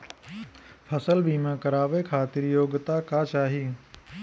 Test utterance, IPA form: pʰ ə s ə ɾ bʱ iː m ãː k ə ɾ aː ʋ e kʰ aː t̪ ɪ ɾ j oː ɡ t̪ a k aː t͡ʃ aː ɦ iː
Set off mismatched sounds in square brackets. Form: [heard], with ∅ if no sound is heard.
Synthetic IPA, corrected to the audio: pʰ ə s ə [l] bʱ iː m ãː k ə ɾ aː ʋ e kʰ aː t̪ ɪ ɾ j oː ɡ t̪ a k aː t͡ʃ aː ɦ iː

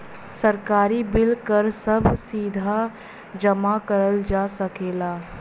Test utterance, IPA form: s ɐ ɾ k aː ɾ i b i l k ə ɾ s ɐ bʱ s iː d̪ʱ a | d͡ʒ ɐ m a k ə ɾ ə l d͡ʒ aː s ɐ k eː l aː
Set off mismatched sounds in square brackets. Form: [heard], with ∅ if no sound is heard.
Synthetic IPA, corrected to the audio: s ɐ ɾ k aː ɾ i b [ɪ] l k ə ɾ s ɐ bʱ s iː d̪ʱ a | d͡ʒ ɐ m a k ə ɾ ə l d͡ʒ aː s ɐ k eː l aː

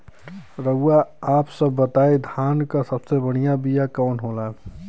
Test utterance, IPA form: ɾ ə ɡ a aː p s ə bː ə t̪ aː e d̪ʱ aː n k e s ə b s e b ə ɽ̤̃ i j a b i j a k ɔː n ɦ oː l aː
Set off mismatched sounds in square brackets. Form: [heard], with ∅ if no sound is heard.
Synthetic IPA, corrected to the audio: ɾ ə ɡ a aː p s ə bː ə t̪ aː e d̪ʱ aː n k [a] s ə b s e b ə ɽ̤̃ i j a b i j a k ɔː n ɦ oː l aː

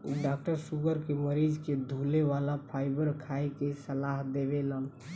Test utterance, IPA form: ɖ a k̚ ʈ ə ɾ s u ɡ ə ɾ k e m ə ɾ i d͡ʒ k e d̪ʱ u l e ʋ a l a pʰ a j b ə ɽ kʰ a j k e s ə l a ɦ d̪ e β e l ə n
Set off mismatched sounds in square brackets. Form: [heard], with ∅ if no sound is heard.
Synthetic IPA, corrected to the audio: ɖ a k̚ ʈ ə ɾ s u ɡ ə ɾ k e m ə ɾ i d͡ʒ k e d̪ʱ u l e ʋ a l a pʰ a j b ə [ɾ] kʰ a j k e s ə l a ɦ d̪ e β e l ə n

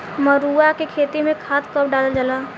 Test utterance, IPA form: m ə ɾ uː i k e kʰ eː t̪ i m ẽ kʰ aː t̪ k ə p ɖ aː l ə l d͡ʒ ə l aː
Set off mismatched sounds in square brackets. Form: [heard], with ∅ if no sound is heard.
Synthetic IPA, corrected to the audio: m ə ɾ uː [a] k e kʰ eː t̪ i m ẽ kʰ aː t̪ k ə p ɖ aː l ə l d͡ʒ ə l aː

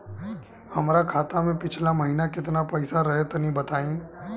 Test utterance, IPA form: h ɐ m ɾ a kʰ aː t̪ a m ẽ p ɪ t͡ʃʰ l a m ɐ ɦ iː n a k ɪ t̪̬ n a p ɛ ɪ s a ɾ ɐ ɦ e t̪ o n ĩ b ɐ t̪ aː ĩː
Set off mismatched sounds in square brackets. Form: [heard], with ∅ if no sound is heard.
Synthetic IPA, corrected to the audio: h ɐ m ɾ a kʰ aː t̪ a m ẽ p ɪ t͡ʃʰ l a m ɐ ɦ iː n a k ɪ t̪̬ n a p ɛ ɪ s a ɾ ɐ ɦ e t̪ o n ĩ b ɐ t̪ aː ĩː

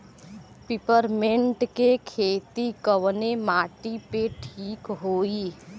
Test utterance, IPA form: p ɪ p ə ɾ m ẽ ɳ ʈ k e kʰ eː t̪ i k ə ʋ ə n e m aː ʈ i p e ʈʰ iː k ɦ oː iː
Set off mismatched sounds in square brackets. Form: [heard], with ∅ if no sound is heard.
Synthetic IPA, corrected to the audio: p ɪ p ə ɾ m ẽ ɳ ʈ k e kʰ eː t̪ i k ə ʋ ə n e m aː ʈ i p e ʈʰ iː k ɦ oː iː

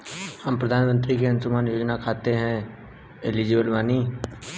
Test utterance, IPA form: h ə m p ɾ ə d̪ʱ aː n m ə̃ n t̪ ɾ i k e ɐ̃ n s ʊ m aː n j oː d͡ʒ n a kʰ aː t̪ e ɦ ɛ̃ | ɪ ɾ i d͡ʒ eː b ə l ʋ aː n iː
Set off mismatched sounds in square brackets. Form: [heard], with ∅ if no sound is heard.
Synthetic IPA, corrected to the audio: h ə m p ɾ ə d̪ʱ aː n m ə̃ n t̪ ɾ i k e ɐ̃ n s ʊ m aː n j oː d͡ʒ n a kʰ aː t̪ e ɦ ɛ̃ | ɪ [l] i d͡ʒ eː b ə l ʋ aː n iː

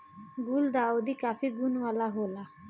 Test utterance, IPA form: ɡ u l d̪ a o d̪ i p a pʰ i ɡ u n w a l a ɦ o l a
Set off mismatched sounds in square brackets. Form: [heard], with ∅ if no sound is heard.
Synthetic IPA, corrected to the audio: ɡ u l d̪ a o d̪ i [k] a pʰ i ɡ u n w a l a ɦ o l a

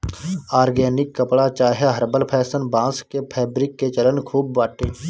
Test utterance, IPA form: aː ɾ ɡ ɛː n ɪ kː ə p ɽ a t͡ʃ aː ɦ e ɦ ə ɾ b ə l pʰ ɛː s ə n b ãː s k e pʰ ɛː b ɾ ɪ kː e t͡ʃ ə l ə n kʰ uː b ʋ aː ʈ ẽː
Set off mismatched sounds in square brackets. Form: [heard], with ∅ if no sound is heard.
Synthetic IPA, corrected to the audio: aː ɾ ɡ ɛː n ɪ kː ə p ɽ a t͡ʃ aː ɦ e ɦ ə ɾ b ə l pʰ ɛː s ə n b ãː s k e pʰ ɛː b ɾ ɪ kː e t͡ʃ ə l ə n kʰ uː b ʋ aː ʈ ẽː

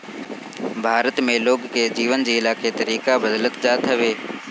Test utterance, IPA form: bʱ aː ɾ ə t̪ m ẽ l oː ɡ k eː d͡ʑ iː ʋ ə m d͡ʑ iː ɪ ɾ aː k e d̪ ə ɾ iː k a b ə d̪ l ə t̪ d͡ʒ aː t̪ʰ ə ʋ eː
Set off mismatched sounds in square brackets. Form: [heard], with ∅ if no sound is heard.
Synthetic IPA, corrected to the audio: bʱ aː ɾ ə t̪ m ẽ l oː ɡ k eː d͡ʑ iː ʋ ə [n] d͡ʑ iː ɪ [l] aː k e [t̪] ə ɾ iː k a b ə d̪ l ə t̪ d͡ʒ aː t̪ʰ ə ʋ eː

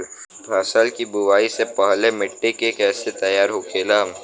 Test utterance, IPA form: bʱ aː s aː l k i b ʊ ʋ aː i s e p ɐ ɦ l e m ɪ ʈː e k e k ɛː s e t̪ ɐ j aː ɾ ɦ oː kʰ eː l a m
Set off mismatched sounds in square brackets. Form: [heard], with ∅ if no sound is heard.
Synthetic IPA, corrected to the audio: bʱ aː s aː l k i b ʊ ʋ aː i s e p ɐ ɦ l e m ɪ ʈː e k e k ɛː s e t̪ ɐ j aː ɾ ɦ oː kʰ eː l a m

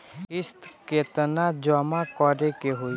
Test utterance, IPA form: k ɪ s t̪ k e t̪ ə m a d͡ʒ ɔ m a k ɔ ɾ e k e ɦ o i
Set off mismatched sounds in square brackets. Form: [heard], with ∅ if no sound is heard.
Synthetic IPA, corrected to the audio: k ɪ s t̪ k e t̪ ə [n] a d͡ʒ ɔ m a k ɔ ɾ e k e ɦ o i

